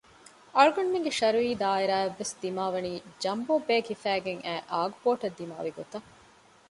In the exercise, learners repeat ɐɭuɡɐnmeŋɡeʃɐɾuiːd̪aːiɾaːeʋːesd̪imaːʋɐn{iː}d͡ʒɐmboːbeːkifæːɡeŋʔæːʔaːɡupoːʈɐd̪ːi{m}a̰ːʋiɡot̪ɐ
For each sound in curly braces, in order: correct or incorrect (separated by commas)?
correct, correct